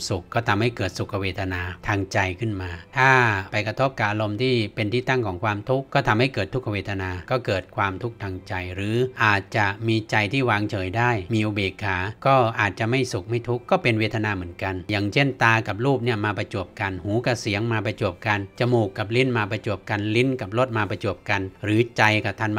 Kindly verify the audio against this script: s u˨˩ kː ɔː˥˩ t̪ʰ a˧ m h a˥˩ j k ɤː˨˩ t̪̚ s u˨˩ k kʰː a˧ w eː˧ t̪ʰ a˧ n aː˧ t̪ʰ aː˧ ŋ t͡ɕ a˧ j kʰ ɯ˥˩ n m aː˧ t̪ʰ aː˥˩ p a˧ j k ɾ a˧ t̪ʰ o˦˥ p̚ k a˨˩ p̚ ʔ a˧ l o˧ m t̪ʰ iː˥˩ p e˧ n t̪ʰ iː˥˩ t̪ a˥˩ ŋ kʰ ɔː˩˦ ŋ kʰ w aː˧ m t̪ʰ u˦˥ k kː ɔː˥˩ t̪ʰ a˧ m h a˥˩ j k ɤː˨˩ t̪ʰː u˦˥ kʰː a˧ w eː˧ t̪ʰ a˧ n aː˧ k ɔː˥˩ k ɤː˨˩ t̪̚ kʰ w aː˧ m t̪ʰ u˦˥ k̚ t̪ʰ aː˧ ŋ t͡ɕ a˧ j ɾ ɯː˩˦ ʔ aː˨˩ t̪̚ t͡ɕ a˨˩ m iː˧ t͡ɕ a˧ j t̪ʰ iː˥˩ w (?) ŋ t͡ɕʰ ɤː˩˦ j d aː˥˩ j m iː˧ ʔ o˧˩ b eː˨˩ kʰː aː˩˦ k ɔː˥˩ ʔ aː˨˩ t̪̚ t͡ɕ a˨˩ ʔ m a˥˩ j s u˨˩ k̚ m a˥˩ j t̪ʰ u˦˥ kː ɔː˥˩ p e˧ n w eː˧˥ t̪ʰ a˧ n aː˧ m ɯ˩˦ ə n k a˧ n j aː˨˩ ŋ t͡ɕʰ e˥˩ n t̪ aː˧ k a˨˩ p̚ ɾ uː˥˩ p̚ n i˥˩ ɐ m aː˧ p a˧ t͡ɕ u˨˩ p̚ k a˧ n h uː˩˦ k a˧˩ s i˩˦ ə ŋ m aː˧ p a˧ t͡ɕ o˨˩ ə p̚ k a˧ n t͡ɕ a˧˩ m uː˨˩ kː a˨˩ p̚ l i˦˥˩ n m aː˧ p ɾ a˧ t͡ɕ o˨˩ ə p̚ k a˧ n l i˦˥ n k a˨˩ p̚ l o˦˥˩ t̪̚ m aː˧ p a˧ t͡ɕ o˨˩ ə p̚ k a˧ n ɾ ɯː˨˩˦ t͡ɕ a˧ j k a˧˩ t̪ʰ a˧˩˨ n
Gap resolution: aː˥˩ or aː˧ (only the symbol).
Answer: aː˧